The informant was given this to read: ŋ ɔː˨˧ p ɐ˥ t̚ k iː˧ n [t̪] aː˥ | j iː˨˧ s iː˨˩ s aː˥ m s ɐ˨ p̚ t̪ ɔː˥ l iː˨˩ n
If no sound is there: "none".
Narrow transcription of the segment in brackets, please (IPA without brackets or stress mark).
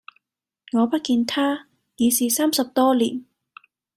t̪ʰ